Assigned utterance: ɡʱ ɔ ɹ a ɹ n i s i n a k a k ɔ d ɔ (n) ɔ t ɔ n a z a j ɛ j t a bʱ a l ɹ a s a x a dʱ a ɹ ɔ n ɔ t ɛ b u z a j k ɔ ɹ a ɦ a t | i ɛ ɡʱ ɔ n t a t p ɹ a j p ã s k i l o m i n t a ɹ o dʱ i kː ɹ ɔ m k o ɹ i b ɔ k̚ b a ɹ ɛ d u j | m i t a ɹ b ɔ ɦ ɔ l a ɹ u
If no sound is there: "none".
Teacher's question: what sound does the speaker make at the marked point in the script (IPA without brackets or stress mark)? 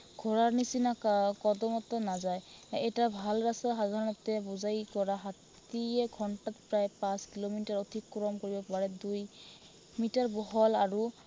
m